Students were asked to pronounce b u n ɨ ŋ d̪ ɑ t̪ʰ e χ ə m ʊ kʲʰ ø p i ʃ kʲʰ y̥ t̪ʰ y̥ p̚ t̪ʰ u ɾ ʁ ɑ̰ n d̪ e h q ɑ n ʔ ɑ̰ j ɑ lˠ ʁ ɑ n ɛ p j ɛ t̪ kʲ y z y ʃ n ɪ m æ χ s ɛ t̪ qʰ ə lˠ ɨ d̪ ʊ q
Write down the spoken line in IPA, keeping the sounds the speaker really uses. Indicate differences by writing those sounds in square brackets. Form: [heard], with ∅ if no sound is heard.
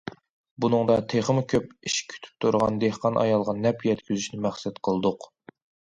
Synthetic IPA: b u n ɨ ŋ d̪ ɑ t̪ʰ e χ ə m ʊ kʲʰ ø p i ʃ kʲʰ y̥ t̪ʰ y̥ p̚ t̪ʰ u ɾ ʁ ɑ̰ n d̪ e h q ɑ n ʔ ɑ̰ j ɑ lˠ ʁ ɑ n ɛ p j ɛ t̪ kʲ y z y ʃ n ɪ m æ χ s ɛ t̪ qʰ ə lˠ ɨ d̪ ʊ q